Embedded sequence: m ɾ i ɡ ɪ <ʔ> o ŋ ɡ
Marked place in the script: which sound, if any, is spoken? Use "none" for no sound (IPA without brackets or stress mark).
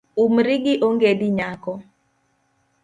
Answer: ʔ